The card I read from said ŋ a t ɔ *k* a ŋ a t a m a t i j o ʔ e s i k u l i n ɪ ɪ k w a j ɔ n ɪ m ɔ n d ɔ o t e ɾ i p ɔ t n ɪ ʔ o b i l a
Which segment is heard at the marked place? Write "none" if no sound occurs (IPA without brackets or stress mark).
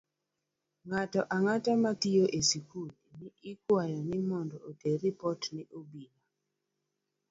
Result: ʔ